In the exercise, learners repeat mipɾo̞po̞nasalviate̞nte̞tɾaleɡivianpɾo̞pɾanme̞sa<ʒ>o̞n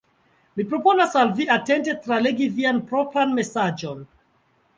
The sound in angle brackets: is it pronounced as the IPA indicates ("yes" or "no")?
no